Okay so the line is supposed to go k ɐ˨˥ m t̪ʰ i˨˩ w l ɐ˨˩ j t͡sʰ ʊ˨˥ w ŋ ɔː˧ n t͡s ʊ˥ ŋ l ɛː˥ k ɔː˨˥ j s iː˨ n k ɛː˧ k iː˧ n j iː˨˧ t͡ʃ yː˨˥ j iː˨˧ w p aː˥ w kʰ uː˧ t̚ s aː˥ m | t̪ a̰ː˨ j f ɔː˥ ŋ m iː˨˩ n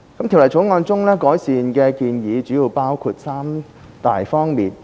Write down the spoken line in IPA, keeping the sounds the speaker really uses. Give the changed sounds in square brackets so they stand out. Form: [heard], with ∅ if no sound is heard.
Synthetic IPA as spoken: k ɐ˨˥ m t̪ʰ i˨˩ w l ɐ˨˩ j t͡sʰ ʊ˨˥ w ŋ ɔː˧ n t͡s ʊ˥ ŋ l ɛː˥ k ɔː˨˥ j s iː˨ n k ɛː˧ k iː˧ n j iː˨˧ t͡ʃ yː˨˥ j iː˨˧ w p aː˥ w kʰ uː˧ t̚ s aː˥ m | t̪ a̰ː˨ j f ɔː˥ ŋ m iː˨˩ n